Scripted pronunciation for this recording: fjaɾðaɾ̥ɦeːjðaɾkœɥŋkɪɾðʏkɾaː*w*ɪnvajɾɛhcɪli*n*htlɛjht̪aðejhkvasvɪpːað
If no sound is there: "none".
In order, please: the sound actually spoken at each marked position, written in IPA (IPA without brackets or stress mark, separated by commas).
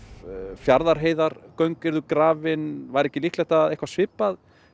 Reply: v, none